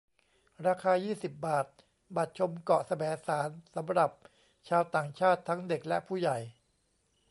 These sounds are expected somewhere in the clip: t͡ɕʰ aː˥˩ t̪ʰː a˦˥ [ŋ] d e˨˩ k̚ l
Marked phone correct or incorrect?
correct